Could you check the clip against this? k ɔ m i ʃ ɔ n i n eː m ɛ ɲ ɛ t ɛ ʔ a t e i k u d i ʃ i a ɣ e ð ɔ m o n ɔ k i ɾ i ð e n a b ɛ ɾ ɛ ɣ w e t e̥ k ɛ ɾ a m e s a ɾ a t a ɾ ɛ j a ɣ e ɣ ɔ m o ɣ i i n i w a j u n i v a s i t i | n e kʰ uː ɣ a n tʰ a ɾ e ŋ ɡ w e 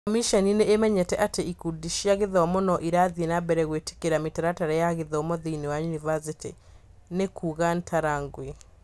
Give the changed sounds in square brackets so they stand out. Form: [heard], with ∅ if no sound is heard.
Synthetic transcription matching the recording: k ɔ m i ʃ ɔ n i n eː m ɛ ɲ ɛ t ɛ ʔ a t e i k u d i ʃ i a ɣ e ð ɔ m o n ɔ [ʔ] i ɾ [a] ð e n a b ɛ ɾ ɛ ɣ w e t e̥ k [e] ɾ a m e [t] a ɾ a t a ɾ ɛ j a ɣ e [ð] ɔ m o [ð] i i n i w a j u n i v a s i t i | n e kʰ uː ɣ a n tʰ a ɾ [a] ŋ ɡ w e